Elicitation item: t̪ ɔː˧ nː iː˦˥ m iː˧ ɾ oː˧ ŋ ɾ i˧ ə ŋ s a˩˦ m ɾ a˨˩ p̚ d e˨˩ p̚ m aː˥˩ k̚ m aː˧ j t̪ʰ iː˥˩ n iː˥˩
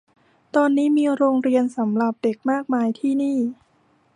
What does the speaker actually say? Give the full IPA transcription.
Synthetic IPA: t̪ ɔː˧ nː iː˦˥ m iː˧ ɾ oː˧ ŋ ɾ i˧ ə n s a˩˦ m ɾ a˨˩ p̚ d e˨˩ k̚ m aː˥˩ k̚ m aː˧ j t̪ʰ iː˥˩ n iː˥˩